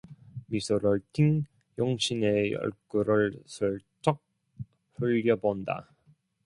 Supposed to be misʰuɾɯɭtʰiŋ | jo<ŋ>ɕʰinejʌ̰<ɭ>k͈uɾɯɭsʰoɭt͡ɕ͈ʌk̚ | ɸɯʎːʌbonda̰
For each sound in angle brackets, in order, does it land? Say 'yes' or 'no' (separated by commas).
yes, yes